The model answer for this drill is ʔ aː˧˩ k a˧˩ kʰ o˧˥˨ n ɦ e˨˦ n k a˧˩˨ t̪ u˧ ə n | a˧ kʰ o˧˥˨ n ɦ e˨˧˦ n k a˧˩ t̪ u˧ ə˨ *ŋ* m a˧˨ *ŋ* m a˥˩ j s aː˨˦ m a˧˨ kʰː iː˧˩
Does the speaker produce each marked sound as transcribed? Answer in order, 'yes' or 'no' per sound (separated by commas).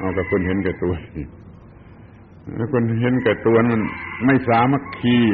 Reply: no, no